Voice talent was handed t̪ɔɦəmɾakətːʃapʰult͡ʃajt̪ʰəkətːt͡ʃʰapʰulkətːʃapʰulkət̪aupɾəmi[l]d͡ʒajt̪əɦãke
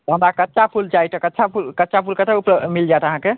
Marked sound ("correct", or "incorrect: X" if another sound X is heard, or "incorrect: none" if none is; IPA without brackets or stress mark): correct